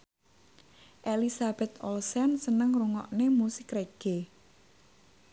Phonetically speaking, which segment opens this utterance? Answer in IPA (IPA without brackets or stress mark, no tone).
ʔ